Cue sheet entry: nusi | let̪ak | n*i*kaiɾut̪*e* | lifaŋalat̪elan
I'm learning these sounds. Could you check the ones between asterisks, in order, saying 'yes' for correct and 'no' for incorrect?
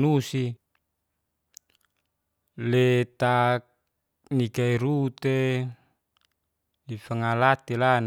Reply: yes, yes

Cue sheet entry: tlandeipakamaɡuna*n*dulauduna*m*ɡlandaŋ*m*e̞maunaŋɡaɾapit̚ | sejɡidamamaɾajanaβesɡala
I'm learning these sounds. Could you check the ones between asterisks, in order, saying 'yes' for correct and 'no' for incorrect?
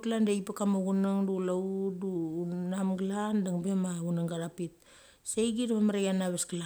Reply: no, yes, no

